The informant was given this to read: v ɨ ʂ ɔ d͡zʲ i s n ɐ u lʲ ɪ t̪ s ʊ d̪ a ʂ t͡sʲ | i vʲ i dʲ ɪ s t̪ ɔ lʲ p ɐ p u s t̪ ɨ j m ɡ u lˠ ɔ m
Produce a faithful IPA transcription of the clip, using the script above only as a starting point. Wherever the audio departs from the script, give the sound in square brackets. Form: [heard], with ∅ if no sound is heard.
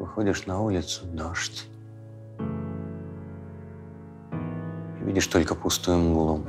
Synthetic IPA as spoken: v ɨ [x] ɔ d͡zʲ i [ʂ] n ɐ u lʲ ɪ t̪ s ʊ d̪ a ʂ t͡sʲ | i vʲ i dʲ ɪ [ʂ] t̪ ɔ lʲ [k] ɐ p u s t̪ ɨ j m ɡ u lˠ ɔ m